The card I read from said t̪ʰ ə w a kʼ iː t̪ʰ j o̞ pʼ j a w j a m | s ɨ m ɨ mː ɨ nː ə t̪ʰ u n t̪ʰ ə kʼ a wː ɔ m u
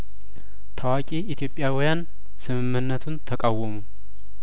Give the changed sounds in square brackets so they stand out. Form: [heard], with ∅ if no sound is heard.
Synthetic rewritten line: t̪ʰ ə w a kʼ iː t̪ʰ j o̞ pʼ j a w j a [n] | s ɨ m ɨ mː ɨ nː ə t̪ʰ u n t̪ʰ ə kʼ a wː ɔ m u